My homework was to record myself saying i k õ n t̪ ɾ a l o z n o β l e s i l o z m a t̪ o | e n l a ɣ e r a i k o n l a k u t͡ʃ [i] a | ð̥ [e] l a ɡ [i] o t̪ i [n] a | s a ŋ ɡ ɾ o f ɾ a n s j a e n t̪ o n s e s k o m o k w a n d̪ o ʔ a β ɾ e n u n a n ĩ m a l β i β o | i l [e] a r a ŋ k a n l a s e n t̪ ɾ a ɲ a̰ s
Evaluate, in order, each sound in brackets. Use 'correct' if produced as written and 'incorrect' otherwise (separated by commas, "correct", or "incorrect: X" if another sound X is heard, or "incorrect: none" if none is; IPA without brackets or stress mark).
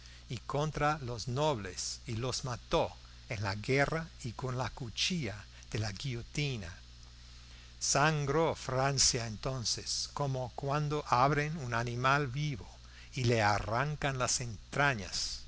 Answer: correct, correct, correct, correct, correct